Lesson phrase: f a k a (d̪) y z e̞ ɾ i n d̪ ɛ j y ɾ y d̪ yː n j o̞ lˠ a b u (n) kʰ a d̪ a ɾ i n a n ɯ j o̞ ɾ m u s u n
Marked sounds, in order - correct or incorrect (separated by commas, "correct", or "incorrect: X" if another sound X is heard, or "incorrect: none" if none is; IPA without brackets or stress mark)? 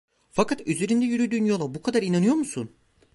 incorrect: t̪, incorrect: none